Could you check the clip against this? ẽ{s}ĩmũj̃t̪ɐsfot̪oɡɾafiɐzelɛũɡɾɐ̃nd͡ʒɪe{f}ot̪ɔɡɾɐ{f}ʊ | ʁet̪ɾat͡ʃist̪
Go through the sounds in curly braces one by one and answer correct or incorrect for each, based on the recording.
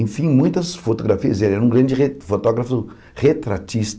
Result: incorrect: f, correct, correct

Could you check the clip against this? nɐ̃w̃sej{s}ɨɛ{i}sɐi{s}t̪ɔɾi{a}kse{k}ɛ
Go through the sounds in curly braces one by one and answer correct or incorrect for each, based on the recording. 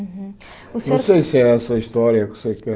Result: correct, incorrect: ɛ, incorrect: ʃ, incorrect: ɐ, correct

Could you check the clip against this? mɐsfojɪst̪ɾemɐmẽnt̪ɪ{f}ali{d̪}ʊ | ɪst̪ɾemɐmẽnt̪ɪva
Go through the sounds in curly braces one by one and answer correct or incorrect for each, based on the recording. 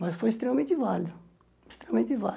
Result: incorrect: v, correct

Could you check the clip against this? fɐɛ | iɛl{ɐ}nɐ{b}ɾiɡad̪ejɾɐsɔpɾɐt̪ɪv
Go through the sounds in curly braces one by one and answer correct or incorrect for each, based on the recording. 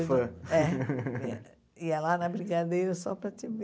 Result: incorrect: a, correct

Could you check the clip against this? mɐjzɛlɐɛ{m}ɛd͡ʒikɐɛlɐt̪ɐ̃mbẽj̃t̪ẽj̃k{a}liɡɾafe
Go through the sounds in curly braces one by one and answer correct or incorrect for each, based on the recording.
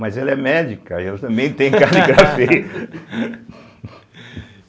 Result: correct, correct

